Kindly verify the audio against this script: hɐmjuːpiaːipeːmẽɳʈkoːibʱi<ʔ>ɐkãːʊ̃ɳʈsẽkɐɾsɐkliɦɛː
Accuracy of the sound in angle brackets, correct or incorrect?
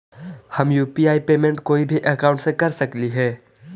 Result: correct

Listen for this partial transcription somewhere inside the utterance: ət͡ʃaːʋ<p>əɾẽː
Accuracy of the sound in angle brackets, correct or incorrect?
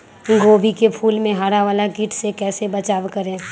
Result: incorrect: k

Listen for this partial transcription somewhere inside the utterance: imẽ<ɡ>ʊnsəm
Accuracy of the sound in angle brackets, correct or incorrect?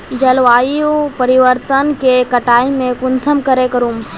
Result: incorrect: k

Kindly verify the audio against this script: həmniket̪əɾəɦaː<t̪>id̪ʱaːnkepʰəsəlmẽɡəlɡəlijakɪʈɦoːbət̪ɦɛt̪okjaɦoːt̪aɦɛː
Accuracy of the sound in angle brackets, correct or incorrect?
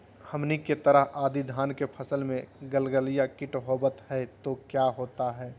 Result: incorrect: d̪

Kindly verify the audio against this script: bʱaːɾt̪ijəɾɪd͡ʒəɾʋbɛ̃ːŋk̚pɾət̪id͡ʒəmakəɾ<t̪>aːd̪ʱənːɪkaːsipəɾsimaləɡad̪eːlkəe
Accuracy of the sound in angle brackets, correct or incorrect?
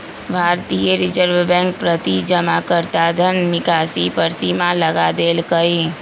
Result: correct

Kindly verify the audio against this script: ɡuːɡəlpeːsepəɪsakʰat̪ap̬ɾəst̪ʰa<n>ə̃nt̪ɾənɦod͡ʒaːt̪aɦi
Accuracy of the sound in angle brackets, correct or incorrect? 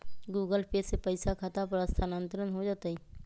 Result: correct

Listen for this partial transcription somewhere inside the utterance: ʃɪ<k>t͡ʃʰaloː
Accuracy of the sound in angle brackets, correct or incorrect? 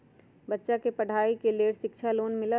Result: correct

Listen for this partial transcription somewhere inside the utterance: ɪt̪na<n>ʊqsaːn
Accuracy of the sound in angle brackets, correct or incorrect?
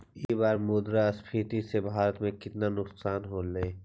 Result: correct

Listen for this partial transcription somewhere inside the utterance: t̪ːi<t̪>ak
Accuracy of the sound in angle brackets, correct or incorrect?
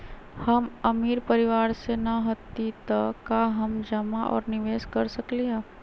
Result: correct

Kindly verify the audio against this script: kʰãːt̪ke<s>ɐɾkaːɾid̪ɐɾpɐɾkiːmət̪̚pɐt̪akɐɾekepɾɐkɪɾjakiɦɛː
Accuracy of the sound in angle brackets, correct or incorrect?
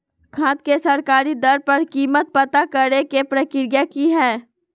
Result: correct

